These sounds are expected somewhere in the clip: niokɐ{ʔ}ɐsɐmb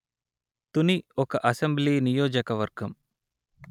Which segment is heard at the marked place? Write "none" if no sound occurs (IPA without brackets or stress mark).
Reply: ʔ